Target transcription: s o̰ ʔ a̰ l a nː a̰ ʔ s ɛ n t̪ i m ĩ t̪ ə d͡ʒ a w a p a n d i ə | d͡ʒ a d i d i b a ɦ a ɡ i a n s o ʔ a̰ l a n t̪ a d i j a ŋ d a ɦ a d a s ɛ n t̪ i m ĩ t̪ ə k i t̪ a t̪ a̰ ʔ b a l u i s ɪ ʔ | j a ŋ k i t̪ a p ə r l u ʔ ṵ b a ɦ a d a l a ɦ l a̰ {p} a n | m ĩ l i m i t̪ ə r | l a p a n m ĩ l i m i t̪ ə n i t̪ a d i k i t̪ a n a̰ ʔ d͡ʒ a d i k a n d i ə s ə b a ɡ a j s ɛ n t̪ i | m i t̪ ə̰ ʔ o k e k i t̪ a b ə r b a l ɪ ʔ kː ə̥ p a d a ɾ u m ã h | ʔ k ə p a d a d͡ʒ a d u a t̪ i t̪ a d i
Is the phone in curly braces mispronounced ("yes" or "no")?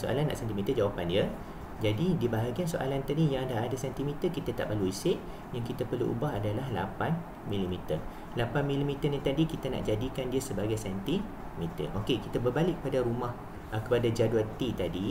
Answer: no